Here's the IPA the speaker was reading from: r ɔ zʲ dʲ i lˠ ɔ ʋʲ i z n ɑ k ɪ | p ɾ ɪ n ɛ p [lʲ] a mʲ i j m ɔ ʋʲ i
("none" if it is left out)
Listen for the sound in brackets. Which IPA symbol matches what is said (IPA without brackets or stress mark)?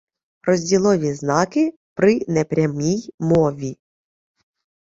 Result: ɾʲ